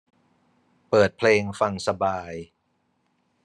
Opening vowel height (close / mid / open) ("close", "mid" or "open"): mid